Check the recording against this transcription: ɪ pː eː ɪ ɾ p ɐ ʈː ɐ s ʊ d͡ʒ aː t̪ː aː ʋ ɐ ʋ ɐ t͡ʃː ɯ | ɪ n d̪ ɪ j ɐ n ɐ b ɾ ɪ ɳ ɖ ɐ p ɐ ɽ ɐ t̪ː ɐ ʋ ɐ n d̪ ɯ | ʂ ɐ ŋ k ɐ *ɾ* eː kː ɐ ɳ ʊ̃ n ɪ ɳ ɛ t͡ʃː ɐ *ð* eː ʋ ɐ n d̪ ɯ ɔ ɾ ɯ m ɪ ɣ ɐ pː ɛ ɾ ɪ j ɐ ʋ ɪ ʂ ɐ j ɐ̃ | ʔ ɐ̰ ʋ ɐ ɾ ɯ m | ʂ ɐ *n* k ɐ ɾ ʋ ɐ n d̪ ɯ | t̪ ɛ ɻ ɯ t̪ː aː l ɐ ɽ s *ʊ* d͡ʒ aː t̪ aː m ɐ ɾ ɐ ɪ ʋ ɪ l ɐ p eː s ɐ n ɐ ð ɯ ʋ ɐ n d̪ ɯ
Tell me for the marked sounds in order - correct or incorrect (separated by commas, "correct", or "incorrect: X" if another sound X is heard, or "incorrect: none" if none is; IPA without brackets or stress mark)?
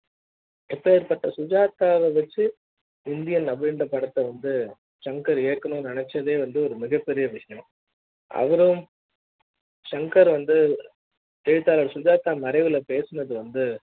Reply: correct, correct, incorrect: ŋ, correct